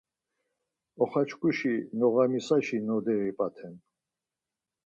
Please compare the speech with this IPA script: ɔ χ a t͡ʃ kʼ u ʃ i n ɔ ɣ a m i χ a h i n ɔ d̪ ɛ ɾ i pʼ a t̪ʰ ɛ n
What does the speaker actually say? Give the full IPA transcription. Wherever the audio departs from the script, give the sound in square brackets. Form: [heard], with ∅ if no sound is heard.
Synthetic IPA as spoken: ɔ χ a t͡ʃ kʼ u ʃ i n ɔ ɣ a m i [s] a [ʃ] i n ɔ d̪ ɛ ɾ i pʼ a t̪ʰ ɛ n